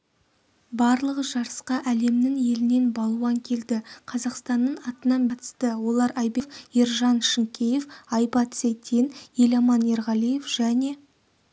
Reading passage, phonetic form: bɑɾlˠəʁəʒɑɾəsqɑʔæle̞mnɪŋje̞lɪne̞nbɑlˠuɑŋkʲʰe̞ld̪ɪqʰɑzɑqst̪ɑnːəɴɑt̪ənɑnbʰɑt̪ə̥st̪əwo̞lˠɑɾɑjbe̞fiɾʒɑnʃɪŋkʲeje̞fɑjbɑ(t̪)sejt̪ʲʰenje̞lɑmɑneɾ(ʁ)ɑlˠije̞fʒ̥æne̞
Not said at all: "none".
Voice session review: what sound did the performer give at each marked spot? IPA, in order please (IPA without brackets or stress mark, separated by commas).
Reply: t̪, ʁ